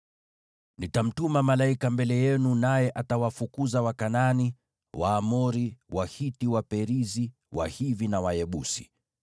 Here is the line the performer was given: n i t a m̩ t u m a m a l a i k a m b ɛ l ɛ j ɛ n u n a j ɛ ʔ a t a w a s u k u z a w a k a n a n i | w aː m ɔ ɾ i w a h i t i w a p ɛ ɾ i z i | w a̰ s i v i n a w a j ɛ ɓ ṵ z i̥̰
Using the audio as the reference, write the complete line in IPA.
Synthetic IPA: n i t a m̩ t u m a m a l a i k a m b ɛ l ɛ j ɛ n u n a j ɛ ʔ a t a w a f u k u z a w a k a n a n i | w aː m ɔ ɾ i w a h i t i w a p ɛ ɾ i z i | w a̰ h i v i n a w a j ɛ ɓ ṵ s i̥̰